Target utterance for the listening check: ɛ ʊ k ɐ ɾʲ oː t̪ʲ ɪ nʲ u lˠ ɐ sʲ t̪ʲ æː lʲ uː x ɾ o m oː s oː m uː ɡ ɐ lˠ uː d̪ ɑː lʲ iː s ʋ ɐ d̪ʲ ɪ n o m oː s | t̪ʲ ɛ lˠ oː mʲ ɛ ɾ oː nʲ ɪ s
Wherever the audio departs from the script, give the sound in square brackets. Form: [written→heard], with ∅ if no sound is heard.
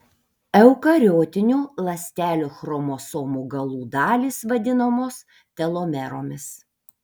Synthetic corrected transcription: ɛ ʊ k ɐ ɾʲ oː t̪ʲ ɪ nʲ u lˠ ɐ sʲ t̪ʲ æː lʲ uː x ɾ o m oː s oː m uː ɡ ɐ lˠ uː d̪ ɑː lʲ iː s ʋ ɐ d̪ʲ ɪ n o m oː s | t̪ʲ ɛ lˠ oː mʲ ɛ ɾ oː [nʲ→mʲ] ɪ s

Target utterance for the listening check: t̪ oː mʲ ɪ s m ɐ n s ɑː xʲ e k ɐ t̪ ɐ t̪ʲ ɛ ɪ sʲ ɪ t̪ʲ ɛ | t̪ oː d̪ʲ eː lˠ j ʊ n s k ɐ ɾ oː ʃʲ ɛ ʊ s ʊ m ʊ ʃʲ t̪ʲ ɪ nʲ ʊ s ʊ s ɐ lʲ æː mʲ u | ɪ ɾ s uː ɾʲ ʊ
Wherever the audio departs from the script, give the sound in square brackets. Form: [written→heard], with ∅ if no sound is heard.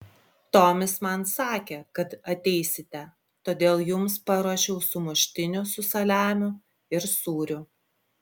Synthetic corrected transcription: t̪ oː mʲ ɪ s m ɐ n s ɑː [xʲ→kʲ] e k ɐ t̪ ɐ t̪ʲ ɛ ɪ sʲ ɪ t̪ʲ ɛ | t̪ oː d̪ʲ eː lˠ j ʊ [n→m] s [k→p] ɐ ɾ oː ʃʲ ɛ ʊ s ʊ m ʊ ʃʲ t̪ʲ ɪ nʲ ʊ s ʊ s ɐ lʲ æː mʲ [u→ʊ] | ɪ ɾ s uː ɾʲ ʊ

